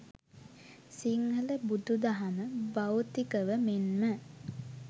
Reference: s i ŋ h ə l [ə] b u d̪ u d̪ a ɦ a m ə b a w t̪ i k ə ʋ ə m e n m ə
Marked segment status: correct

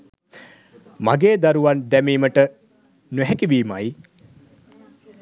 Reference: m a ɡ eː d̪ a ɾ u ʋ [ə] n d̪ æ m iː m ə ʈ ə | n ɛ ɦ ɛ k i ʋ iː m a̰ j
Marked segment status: incorrect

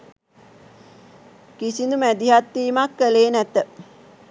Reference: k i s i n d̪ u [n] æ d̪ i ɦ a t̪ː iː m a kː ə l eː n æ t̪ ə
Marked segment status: incorrect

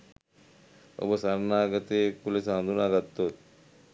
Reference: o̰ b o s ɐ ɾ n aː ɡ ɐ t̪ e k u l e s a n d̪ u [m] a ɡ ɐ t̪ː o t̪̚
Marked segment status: incorrect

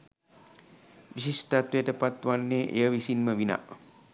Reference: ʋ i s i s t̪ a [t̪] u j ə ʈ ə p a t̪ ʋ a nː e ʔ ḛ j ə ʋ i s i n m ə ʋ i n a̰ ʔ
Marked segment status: correct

